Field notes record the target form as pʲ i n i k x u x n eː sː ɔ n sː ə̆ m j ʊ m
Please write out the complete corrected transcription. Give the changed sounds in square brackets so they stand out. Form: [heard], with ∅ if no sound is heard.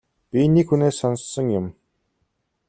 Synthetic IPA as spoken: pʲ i n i k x u [∅] n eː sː ɔ n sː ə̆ [ŋ] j ʊ m